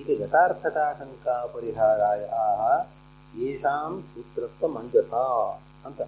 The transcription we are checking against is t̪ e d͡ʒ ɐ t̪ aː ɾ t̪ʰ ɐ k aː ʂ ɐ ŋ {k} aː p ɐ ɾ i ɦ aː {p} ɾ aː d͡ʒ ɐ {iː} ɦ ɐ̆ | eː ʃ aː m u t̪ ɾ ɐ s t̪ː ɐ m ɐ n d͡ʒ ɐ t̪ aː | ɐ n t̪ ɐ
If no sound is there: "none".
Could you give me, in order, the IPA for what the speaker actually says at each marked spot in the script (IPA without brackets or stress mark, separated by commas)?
k, none, aː